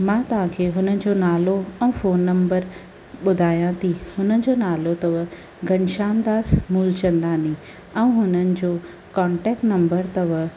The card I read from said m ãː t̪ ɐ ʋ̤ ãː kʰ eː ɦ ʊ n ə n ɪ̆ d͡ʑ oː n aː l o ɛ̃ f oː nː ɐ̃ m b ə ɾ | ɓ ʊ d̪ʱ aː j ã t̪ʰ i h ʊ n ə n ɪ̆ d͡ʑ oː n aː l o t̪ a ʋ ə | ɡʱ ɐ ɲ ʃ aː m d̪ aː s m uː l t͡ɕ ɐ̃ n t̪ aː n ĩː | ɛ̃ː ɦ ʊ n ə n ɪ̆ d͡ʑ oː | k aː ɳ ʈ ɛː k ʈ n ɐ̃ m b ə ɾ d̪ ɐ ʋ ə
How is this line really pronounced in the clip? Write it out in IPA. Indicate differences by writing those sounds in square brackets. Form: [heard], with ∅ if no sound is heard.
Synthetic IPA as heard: m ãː t̪ ɐ ʋ̤ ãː kʰ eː ɦ ʊ n ə n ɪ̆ d͡ʑ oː n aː l o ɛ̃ f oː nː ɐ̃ m b ə ɾ | ɓ ʊ d̪ʱ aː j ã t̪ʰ i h ʊ n ə n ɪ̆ d͡ʑ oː n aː l o t̪ [ɐ] ʋ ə | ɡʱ ɐ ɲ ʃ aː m d̪ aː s m uː l t͡ɕ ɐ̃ n [d̪] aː n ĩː | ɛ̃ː ɦ ʊ n ə n ɪ̆ d͡ʑ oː | k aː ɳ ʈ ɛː k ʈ n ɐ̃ m b ə ɾ [t̪] ɐ ʋ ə